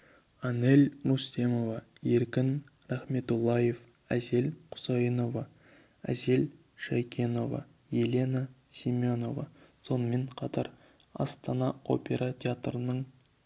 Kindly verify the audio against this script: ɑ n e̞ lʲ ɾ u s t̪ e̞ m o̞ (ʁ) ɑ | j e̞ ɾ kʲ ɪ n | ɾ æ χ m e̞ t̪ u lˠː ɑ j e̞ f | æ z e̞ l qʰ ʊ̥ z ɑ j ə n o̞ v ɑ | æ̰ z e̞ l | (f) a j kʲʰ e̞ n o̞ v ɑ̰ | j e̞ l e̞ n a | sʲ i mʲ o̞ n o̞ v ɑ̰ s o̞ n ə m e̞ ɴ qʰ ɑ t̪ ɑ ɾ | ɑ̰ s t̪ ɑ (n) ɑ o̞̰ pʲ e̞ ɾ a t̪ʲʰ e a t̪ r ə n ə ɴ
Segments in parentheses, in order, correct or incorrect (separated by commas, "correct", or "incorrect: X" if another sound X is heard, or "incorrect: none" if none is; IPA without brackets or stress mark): incorrect: v, incorrect: ʃ, correct